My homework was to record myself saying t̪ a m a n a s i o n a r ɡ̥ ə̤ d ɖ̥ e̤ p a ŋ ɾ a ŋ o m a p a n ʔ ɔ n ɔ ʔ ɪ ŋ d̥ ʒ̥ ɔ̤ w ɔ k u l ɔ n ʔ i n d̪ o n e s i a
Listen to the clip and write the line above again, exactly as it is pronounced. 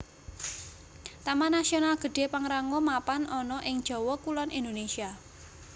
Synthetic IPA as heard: t̪ a m a n a s i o n a l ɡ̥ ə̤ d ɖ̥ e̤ p a ŋ ɾ a ŋ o m a p a n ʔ ɔ n ɔ ʔ ɪ ŋ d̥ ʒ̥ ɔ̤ w ɔ k u l ɔ n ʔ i n d̪ o n e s i a